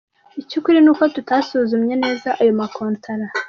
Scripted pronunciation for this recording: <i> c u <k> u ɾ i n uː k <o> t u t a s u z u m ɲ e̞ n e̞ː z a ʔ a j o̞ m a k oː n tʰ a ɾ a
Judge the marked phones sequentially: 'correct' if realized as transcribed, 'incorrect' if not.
correct, correct, correct

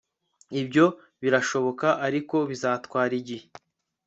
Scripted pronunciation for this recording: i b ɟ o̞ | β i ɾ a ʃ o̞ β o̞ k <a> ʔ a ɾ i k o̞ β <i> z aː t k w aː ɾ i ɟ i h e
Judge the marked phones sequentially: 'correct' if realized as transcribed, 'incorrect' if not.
correct, correct

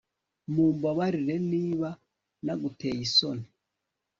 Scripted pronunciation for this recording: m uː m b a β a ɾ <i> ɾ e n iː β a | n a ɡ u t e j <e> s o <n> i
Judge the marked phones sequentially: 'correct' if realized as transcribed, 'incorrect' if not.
correct, incorrect: i, correct

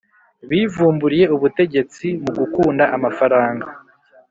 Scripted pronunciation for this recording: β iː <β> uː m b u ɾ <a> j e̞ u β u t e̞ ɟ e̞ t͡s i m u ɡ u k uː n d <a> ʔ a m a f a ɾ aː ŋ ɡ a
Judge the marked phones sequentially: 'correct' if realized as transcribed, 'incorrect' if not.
incorrect: v, incorrect: i, correct

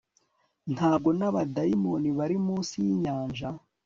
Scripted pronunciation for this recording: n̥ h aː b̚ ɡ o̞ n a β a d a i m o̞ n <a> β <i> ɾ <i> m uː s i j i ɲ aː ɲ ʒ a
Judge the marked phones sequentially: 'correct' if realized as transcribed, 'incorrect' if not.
incorrect: i, incorrect: a, correct

